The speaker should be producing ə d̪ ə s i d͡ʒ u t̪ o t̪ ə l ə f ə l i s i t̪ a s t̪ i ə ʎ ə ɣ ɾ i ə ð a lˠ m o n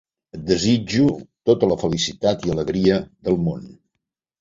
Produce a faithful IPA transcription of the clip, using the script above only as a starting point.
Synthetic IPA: ə d̪ ə z i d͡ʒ u t̪ o t̪ ə l ə f ə l i s i t̪ a t̪ i ə l ə ɣ ɾ i ə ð ə lˠ m o n